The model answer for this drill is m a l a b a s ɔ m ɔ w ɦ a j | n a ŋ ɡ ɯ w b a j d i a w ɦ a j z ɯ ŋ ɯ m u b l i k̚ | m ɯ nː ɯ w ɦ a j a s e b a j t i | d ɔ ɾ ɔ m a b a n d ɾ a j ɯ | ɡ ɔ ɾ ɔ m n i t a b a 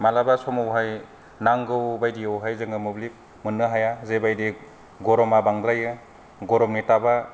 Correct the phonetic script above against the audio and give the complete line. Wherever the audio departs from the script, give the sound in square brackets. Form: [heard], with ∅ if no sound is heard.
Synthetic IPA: m a l a b a s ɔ m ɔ w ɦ a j | n a ŋ ɡ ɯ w b a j d i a w ɦ a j z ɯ ŋ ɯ m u b l i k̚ | m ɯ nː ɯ [∅] ɦ a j a [z] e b a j [d] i | [ɡ] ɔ ɾ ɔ m a b a [ŋ] d ɾ a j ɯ | ɡ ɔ ɾ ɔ m n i t a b a